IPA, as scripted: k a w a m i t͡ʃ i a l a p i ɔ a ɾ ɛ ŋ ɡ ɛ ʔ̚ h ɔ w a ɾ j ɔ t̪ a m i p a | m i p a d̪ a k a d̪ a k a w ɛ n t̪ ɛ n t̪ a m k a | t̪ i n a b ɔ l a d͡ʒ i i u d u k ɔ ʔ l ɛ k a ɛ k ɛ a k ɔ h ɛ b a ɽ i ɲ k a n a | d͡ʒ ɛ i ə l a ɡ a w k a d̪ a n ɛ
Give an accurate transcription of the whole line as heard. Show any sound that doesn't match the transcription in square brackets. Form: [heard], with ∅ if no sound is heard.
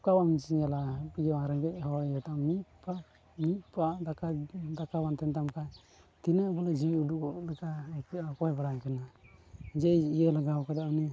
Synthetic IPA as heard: k a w a m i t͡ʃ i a l a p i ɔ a ɾ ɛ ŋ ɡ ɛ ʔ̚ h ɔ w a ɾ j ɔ t̪ a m i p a | m i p a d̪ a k a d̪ a k a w [a] n t̪ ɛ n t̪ a m k a | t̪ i n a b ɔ l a d͡ʒ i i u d u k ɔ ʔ l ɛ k a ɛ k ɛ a k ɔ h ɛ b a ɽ [a] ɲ k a n a | d͡ʒ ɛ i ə l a ɡ a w k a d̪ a n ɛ